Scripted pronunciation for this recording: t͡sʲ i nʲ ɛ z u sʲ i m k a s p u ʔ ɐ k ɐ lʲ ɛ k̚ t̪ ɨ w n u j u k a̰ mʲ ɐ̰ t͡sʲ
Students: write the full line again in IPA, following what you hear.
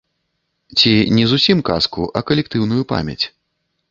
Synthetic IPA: t͡sʲ i nʲ ɛ z u sʲ i m k a s k u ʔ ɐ k ɐ lʲ ɛ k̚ t̪ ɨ w n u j u p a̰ mʲ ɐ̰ t͡sʲ